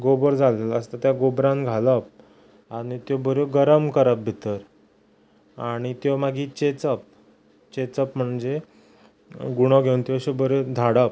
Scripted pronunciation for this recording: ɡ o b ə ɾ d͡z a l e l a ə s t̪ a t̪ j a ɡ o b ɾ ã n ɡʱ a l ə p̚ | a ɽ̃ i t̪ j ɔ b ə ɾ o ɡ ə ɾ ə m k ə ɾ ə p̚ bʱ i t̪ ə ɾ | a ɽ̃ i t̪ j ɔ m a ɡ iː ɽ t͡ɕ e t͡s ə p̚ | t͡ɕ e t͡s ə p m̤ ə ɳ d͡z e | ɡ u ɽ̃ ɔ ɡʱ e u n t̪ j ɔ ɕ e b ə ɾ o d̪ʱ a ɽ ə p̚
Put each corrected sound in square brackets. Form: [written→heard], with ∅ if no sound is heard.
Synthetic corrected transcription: ɡ o b ə ɾ d͡z a l e l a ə s t̪ a t̪ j a ɡ o b ɾ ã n ɡʱ a l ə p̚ | a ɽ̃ i t̪ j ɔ b ə ɾ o ɡ ə ɾ ə m k ə ɾ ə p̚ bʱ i t̪ ə ɾ | a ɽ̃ i t̪ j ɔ m a ɡ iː [ɽ→∅] t͡ɕ e t͡s ə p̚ | t͡ɕ e t͡s ə p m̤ ə ɳ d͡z e | ɡ u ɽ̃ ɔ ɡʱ e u n t̪ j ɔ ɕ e b ə ɾ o d̪ʱ a ɽ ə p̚